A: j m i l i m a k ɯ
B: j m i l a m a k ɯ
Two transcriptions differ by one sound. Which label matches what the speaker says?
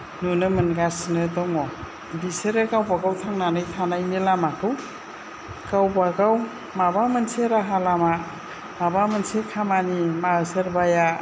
B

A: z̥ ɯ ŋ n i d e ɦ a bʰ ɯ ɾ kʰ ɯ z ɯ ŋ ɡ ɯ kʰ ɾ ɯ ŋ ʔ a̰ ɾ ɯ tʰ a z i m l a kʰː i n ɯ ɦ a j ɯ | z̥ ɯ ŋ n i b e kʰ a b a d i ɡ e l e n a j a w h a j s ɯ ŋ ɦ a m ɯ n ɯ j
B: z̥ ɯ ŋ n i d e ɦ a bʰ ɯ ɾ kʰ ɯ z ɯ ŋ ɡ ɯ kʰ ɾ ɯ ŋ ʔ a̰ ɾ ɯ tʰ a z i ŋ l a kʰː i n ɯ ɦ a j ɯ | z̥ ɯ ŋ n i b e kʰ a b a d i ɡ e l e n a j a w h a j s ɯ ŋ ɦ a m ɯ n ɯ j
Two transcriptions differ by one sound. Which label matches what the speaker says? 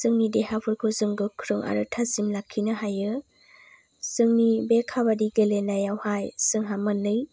A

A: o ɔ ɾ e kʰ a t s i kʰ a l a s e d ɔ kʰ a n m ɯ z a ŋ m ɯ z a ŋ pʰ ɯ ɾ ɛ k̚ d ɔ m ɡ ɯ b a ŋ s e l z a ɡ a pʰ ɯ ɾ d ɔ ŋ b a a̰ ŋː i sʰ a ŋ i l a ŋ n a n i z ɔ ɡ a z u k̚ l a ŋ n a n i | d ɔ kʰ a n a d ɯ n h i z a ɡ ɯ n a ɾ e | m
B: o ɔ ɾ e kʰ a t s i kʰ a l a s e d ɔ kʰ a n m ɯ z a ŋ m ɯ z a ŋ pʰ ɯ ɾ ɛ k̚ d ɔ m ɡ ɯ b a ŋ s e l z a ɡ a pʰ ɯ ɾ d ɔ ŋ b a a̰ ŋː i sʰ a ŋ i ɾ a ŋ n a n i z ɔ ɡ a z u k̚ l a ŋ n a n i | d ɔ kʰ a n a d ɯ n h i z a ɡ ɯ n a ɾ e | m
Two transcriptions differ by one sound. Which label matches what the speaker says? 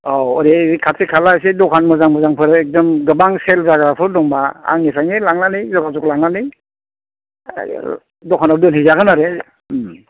A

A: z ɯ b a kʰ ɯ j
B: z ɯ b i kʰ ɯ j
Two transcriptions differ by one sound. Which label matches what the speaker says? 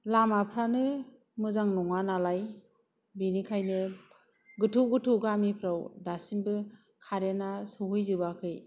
A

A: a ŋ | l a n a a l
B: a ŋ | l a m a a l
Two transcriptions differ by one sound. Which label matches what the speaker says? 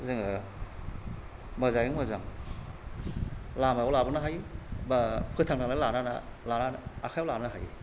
B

